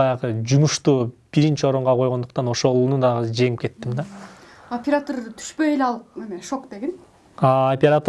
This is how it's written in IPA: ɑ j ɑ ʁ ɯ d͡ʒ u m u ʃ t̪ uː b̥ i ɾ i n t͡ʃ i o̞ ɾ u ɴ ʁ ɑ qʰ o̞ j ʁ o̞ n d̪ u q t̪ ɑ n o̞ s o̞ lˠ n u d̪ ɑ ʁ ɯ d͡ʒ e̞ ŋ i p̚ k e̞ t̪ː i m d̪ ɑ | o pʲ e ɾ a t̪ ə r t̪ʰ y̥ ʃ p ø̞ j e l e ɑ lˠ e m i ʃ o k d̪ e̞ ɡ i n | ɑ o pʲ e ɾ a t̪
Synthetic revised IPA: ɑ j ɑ ʁ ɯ d͡ʒ u m u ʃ t̪ uː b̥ i ɾ i n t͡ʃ i o̞ ɾ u ɴ ʁ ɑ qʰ o̞ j ʁ o̞ n d̪ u q t̪ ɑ n o̞ ʃ o̞ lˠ n u d̪ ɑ ʁ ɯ d͡ʒ e̞ ŋ i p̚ k e̞ t̪ː i m d̪ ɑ | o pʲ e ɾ a t̪ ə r t̪ʰ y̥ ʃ p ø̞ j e l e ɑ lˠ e m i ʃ o k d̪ e̞ ɡ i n | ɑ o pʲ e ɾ a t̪

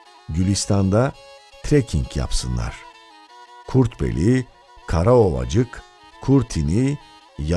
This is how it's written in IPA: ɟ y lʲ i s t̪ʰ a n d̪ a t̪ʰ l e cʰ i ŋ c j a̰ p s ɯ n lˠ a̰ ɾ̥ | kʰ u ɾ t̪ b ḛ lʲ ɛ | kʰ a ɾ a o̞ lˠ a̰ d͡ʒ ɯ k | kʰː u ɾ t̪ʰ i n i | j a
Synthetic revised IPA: ɟ y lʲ i s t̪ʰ a n d̪ a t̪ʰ ɾ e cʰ i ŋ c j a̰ p s ɯ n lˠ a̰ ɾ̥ | kʰ u ɾ t̪ b ḛ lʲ i | kʰ a ɾ a o̞ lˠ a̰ d͡ʒ ɯ k | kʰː u ɾ t̪ʰ i n i | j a

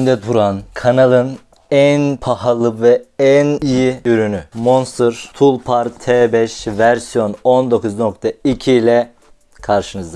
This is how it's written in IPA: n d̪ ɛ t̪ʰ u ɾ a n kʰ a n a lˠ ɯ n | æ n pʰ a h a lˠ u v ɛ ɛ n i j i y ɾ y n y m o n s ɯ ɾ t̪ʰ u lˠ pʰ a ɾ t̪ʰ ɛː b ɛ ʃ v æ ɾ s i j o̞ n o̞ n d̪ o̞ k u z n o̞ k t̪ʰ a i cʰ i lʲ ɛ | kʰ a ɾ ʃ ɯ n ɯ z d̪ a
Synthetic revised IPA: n d̪ ɛ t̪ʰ u ɾ a n kʰ a n a lˠ ɯ n | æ n pʰ a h a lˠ ɯ v ɛ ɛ n i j i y ɾ y n y m o n s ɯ ɾ t̪ʰ u lˠ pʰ a ɾ t̪ʰ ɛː b ɛ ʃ v æ ɾ s i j o̞ n o̞ n d̪ o̞ k u z n o̞ k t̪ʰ a i cʰ i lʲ ɛ | kʰ a ɾ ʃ ɯ n ɯ z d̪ a

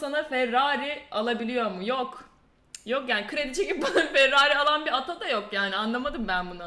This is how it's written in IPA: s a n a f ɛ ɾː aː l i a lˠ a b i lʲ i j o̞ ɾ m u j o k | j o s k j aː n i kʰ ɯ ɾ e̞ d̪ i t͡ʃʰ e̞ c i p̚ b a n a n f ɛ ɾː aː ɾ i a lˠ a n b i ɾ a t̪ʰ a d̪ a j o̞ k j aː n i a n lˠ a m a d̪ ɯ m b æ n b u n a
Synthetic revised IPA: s a n a f ɛ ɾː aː ɾ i a lˠ a b i lʲ i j o̞ ɾ m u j o k | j o k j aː n i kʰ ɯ ɾ e̞ d̪ i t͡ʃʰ e̞ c i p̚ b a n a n f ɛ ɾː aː ɾ i a lˠ a n b i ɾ a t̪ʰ a d̪ a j o̞ k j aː n i a n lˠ a m a d̪ ɯ m b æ n b u n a

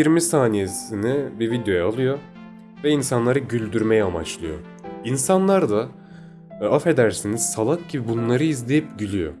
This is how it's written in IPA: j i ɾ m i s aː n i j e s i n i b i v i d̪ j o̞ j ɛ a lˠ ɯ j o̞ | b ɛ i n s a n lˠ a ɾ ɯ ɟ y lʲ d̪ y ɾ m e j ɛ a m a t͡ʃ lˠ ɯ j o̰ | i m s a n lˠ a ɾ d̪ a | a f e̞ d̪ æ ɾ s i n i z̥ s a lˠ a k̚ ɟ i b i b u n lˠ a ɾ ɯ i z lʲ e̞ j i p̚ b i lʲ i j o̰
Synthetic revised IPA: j i ɾ m i s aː n i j e s i n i b i v i d̪ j o̞ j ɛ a lˠ ɯ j o̞ | v ɛ i n s a n lˠ a ɾ ɯ ɟ y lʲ d̪ y ɾ m e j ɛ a m a t͡ʃ lˠ ɯ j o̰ | i n s a n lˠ a ɾ d̪ a | a f e̞ d̪ æ ɾ s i n i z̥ s a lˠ a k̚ ɟ i b i b u n lˠ a ɾ ɯ i z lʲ e̞ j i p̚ ɟ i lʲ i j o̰

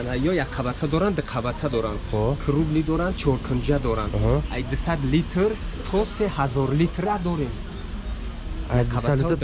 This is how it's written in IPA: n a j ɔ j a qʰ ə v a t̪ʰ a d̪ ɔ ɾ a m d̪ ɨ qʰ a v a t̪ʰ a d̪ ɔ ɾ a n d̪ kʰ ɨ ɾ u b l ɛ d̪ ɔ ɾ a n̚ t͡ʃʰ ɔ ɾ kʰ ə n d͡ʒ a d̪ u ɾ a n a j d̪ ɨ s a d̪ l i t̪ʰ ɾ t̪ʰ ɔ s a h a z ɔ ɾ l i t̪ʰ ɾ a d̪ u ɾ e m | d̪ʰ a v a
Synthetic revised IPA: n a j ɔ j a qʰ a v a t̪ʰ a d̪ ɔ ɾ a n d̪ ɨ qʰ a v a t̪ʰ a d̪ ɔ ɾ a n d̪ kʰ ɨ ɾ u b l i d̪ ɔ ɾ a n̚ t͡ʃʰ ɔ ɾ kʰ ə n d͡ʒ a d̪ ɔ ɾ a n a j d̪ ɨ s a d̪ l i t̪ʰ ɾ t̪ʰ ɔ s e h a z ɔ ɾ l i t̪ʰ ɾ a d̪ ɔ ɾ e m | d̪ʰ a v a

